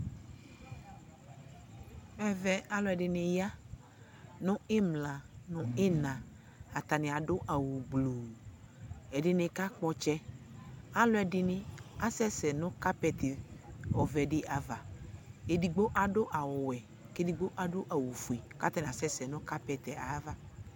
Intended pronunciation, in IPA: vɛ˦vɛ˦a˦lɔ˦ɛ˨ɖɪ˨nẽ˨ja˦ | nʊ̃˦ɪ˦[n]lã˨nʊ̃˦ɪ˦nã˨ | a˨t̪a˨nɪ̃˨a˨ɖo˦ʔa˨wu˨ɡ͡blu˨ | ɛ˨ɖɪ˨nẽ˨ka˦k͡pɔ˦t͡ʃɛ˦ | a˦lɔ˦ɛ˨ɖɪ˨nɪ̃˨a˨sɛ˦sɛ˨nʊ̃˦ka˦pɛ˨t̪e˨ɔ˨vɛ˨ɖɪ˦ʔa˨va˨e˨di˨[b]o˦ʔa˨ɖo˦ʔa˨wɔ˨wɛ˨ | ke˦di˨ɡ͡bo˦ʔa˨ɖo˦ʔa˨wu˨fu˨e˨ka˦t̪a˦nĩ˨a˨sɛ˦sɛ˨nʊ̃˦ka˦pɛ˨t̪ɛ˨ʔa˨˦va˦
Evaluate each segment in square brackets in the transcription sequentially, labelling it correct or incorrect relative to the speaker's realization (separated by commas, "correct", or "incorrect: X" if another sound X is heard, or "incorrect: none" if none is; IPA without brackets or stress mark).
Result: incorrect: m, incorrect: ɡ͡b